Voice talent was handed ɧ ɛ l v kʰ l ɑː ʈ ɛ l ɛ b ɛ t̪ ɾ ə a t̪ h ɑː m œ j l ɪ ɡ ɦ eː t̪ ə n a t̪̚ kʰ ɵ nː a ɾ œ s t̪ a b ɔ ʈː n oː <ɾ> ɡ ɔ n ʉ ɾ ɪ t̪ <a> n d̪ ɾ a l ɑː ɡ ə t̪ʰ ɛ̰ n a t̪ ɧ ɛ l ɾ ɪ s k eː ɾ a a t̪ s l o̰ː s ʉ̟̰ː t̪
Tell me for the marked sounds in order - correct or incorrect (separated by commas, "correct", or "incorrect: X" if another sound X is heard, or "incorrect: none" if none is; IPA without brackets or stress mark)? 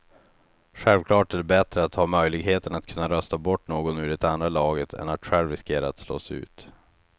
incorrect: none, correct